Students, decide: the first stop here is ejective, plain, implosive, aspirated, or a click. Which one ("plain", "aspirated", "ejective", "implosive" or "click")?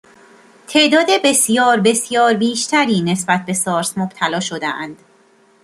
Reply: aspirated